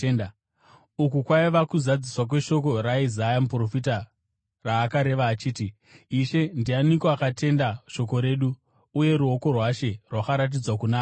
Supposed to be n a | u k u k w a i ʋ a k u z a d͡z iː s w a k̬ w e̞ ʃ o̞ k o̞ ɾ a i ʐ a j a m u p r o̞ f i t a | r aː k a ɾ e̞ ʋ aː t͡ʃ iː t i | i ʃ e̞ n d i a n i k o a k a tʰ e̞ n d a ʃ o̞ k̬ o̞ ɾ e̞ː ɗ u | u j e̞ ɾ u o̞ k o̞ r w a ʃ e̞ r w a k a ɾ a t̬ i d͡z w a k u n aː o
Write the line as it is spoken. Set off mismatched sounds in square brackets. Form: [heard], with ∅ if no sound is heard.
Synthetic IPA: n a | u k u k w a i ʋ a k u z a d͡z [i] s w a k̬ w e̞ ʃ o̞ k o̞ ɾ a i [z] a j a m u p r o̞ f i t a | r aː k a ɾ e̞ ʋ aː t͡ʃ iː t i | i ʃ e̞ n d i a n i k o a k a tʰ e̞ n d a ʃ o̞ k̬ o̞ ɾ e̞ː ɗ u | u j e̞ ɾ u o̞ k o̞ r w a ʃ e̞ r w a k a ɾ a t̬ i d͡z w a k u n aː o